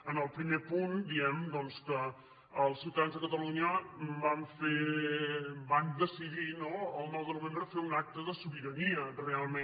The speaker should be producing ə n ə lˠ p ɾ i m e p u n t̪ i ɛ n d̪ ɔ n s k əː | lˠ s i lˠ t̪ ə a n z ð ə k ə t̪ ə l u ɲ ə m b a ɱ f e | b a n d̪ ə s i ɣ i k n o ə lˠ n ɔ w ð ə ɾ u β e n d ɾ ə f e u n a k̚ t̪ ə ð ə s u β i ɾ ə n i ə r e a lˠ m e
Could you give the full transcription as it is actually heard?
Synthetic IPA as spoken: ə n ə lˠ p ɾ i m e p u n d̪ i ɛ m d̪ ɔ n s k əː | lˠ s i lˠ t̪ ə a n z ð ə k ə t̪ ə l u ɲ ə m b a ɱ f e | b a n d̪ ə s i ð i n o ə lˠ n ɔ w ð ə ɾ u β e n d ɾ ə f e u n a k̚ t̪ ə ð ə s u β i ɾ ə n i ə r e a lˠ m e